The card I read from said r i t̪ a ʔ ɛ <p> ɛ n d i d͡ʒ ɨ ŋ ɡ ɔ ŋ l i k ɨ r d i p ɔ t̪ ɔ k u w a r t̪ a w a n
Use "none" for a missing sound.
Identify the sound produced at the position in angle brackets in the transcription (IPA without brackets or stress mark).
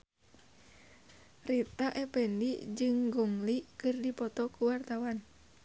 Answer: p